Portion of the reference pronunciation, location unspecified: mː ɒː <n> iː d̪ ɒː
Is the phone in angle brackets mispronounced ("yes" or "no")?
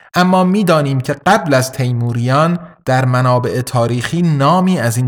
yes